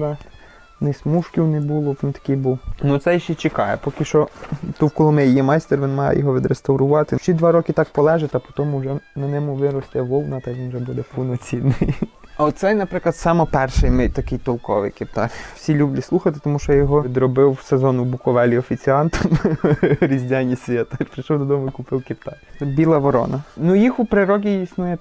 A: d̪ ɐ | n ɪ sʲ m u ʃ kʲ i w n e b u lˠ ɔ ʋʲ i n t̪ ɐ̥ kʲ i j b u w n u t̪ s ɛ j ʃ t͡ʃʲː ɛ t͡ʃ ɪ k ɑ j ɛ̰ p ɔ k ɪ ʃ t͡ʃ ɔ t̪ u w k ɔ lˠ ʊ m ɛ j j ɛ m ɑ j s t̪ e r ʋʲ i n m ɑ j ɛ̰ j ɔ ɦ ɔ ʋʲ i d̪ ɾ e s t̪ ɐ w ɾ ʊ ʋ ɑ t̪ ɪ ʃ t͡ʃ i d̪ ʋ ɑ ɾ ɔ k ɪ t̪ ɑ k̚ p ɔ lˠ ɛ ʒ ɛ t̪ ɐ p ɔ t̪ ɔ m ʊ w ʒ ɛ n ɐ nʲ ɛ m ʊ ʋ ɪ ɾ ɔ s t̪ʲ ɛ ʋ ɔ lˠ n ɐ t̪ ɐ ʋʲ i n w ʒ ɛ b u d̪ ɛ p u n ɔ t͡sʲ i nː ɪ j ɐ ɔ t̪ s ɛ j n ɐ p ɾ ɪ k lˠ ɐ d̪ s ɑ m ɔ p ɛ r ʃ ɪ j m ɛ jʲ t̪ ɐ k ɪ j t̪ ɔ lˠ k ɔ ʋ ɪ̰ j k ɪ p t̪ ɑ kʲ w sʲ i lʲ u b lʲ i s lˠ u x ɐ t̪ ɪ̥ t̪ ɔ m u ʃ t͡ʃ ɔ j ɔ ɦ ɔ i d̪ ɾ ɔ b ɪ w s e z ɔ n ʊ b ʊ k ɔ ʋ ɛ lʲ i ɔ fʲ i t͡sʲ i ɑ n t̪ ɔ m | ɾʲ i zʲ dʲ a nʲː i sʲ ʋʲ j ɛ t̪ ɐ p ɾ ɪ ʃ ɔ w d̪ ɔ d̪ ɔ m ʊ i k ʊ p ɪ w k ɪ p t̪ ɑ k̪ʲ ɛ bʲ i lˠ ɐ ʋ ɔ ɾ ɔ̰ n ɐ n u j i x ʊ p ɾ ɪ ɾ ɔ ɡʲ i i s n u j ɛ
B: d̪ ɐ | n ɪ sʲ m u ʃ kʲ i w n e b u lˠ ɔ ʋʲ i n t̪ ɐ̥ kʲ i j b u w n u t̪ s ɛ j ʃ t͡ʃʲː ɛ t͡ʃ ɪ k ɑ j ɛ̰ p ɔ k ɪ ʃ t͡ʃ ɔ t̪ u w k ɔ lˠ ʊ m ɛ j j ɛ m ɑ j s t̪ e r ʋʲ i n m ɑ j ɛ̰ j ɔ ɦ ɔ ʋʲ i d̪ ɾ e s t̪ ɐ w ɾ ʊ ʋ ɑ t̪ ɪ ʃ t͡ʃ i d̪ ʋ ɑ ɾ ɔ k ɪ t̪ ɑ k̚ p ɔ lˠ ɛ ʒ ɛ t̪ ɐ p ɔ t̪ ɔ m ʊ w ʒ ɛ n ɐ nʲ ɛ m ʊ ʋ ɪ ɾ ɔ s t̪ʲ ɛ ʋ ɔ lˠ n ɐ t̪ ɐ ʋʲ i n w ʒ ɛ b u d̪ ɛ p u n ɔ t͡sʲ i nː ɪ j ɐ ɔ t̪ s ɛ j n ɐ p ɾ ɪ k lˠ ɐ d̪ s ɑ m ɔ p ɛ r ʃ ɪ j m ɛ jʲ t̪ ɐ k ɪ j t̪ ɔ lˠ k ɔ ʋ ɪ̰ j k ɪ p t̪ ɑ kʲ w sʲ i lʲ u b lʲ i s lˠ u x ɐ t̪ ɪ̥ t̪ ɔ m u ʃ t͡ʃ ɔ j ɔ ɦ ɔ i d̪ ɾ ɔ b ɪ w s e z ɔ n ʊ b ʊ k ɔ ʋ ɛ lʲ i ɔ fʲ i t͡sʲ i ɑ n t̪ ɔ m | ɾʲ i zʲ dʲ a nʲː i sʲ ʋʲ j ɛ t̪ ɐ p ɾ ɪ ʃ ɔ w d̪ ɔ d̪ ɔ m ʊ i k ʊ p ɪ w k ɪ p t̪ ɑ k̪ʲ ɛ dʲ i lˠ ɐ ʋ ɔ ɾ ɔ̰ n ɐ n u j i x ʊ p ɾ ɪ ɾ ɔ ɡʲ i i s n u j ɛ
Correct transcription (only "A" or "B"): A